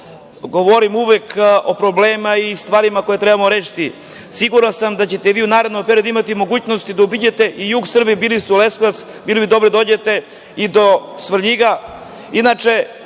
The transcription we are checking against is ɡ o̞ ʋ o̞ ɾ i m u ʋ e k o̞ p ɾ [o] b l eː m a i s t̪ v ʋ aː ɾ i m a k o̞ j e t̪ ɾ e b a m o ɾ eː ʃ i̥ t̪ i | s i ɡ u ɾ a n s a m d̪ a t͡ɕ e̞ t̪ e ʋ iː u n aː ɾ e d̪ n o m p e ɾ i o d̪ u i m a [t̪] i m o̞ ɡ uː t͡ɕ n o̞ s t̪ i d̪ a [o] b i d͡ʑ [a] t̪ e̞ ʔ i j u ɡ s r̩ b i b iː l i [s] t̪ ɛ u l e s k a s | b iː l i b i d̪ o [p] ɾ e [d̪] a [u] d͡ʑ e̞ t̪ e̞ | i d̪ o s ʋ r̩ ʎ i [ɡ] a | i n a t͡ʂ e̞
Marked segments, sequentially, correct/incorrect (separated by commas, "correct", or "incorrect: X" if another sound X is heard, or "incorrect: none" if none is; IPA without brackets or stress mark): correct, correct, incorrect: u, incorrect: e, correct, incorrect: b, correct, incorrect: o, correct